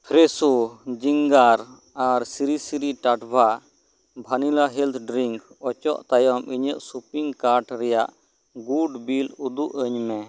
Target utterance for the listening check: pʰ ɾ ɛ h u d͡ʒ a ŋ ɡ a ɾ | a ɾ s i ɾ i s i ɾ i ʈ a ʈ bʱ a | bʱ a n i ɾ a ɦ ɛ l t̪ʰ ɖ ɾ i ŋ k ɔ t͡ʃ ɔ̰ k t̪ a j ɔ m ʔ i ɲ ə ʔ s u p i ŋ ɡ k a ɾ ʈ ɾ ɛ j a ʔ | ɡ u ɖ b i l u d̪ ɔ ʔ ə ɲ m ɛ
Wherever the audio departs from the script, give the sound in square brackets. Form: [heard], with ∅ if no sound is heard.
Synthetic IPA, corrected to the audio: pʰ ɾ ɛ [s] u d͡ʒ [i] ŋ ɡ a ɾ | a ɾ s i ɾ i s i ɾ i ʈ a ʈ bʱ a | bʱ a n i [l] a ɦ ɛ l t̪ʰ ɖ ɾ i ŋ k ɔ t͡ʃ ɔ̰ [ʔ] t̪ a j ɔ m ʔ i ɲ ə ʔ s u p i ŋ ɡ k a ɾ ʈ ɾ ɛ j a ʔ | ɡ u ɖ b i l u d̪ [u] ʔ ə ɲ m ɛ